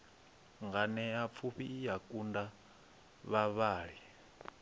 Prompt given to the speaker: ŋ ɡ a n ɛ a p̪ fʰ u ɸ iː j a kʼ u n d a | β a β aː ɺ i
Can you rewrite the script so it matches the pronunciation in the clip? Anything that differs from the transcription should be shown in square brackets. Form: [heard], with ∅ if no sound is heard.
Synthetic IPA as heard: ŋ ɡ a n ɛ a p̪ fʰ u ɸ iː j a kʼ u n d a | β a β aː ɺ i